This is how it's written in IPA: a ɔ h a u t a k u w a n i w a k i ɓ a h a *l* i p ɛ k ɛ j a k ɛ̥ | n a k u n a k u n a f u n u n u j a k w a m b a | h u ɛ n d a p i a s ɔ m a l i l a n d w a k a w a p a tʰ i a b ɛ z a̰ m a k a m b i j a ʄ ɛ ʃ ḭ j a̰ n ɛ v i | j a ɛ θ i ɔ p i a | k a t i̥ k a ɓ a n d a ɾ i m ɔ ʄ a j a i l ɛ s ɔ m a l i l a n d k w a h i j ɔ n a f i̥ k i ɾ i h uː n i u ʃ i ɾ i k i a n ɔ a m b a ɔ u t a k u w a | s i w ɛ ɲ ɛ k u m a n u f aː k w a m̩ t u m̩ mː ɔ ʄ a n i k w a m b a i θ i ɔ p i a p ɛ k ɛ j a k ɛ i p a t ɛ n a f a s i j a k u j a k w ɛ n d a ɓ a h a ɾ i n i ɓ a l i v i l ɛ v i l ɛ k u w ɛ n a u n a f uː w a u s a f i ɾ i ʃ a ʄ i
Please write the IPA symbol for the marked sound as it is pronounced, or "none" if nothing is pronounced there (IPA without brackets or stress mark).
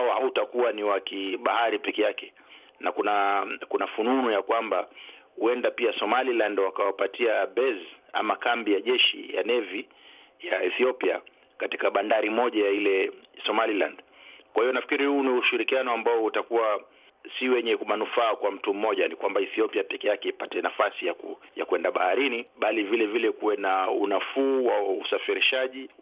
ɾ